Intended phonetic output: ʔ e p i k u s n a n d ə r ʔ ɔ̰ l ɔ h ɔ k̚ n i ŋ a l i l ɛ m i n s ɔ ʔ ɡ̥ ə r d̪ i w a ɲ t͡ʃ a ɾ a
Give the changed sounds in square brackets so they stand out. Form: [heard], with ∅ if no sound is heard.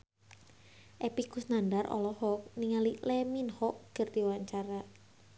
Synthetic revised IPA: ʔ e p i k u s n a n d [a] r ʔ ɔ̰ l ɔ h ɔ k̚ n i ŋ a l i l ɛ m i n [h] ɔ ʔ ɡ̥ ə r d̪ i w a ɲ t͡ʃ a ɾ a